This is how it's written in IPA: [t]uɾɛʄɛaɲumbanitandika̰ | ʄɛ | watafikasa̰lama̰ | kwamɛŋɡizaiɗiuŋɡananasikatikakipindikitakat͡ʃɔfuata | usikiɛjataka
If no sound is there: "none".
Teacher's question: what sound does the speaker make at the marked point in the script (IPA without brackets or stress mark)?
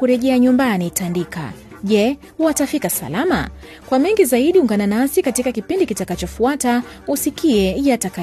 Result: k